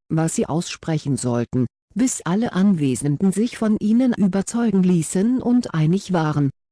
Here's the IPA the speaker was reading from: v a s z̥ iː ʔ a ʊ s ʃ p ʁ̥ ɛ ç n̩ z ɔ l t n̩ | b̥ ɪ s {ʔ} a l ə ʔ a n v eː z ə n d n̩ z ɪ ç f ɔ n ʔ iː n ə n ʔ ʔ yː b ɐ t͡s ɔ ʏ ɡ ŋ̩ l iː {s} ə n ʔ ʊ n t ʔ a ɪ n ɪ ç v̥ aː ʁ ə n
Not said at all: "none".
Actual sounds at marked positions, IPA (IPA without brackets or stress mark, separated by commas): ʔ, s